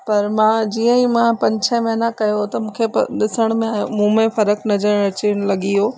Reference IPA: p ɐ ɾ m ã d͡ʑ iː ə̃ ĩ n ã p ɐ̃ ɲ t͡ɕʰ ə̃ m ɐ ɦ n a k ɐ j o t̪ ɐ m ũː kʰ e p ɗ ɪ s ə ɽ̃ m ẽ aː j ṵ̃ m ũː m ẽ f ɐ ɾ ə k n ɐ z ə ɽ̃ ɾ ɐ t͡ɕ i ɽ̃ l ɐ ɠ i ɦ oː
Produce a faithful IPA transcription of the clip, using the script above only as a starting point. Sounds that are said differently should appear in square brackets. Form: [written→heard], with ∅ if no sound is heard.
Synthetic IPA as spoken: p ɐ ɾ m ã d͡ʑ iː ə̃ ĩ [n→m] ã p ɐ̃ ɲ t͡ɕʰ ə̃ m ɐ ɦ n a k ɐ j o t̪ ɐ m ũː kʰ e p ɗ ɪ s ə ɽ̃ m ẽ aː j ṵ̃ m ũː m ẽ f ɐ ɾ ə k n ɐ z ə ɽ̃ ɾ ɐ t͡ɕ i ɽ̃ l ɐ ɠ i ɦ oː